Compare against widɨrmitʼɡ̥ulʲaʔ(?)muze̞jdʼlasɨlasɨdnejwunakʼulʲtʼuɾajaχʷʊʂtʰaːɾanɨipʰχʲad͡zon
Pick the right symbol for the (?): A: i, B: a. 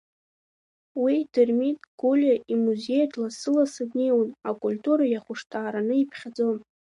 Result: A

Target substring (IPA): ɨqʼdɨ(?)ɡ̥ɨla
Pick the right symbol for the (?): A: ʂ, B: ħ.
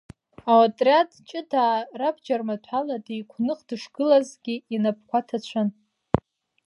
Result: A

